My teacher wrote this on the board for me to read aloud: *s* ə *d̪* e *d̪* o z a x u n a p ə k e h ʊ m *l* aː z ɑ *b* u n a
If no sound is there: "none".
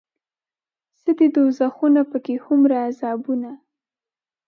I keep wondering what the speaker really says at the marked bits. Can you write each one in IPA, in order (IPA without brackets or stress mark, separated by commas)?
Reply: s, d̪, d̪, ɾ, b